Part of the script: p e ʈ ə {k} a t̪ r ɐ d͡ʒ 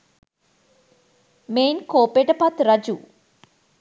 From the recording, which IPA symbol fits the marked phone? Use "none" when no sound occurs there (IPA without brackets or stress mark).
p